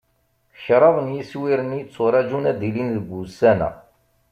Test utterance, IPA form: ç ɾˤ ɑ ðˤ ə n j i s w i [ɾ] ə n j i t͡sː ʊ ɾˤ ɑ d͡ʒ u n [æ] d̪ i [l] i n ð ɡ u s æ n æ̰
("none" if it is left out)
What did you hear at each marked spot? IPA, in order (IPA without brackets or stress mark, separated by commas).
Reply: ɾ, æ, l